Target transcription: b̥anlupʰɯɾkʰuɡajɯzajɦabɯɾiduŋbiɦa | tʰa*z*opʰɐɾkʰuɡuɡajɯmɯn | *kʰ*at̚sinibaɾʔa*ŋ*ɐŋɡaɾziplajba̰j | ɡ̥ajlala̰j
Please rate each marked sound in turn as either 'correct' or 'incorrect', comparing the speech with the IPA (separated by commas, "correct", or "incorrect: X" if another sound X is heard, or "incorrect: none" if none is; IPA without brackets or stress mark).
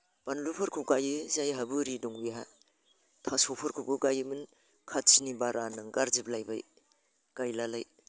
incorrect: s, correct, incorrect: n